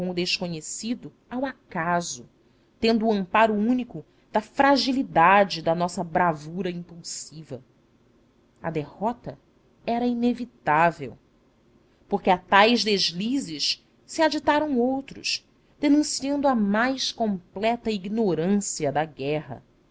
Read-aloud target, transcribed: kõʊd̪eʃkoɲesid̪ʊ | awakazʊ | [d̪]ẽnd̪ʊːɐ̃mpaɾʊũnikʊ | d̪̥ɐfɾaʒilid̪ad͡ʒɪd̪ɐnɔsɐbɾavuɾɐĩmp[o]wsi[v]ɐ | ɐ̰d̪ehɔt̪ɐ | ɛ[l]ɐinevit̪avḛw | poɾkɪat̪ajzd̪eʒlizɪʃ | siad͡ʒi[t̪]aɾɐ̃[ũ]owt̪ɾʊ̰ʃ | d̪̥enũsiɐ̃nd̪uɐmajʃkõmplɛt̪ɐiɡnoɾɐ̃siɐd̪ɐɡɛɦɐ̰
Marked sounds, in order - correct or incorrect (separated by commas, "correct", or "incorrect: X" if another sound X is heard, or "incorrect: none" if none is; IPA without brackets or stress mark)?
incorrect: t̪, incorrect: u, correct, incorrect: ɾ, correct, incorrect: w̃